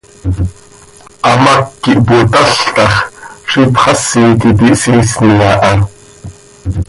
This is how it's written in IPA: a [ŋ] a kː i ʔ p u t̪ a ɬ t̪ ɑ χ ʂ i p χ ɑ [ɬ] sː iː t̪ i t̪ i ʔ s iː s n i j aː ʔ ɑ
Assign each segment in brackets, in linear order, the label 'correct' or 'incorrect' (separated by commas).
incorrect, incorrect